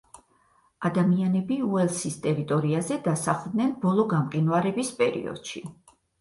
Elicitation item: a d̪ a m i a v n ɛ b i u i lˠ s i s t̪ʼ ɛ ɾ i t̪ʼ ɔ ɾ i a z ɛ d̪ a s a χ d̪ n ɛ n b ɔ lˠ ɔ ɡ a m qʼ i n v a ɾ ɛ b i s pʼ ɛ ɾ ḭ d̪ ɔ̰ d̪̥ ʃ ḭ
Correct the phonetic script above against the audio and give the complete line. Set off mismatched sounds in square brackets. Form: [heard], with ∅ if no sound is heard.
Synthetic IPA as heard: a d̪ a m i a [∅] n ɛ b i u [ɛ] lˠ s i s t̪ʼ ɛ ɾ i t̪ʼ ɔ ɾ i a z ɛ d̪ a s a χ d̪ n ɛ n b ɔ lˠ ɔ ɡ a m qʼ i n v a ɾ ɛ b i s pʼ ɛ ɾ ḭ [∅] ɔ̰ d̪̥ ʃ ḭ